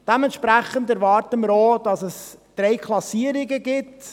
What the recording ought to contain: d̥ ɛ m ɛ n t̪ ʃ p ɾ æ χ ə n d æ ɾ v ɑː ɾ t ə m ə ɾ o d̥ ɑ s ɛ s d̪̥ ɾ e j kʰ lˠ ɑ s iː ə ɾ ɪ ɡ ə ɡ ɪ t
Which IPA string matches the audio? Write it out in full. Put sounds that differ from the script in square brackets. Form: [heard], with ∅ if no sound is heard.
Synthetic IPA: d̥ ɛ m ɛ n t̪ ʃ p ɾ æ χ ə n d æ ɾ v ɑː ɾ t ə m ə ɾ o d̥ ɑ s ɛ s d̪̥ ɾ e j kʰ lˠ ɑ s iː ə ɾ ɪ ɡ ə ɡ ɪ t